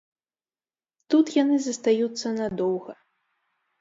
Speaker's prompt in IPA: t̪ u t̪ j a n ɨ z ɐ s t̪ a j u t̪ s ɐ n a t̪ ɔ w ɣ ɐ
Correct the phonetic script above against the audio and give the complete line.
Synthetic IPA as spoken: t̪ u t̪ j a n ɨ z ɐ s t̪ a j u t̪ sː ɐ n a d̪ ɔ w ɣ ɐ